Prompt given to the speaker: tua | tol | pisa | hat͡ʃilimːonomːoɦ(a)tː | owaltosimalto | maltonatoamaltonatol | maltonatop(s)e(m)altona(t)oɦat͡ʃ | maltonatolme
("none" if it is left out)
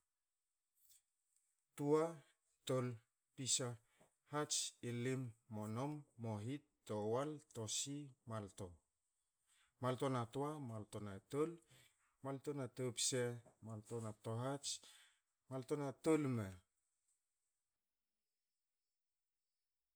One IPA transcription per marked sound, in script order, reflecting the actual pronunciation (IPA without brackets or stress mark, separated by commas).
i, s, m, t